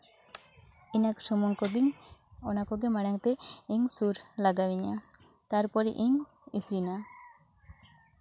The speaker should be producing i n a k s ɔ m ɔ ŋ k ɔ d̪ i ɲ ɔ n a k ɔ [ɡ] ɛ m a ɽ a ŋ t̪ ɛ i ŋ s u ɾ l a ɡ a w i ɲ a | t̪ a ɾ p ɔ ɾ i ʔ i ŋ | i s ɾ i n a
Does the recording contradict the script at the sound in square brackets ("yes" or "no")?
no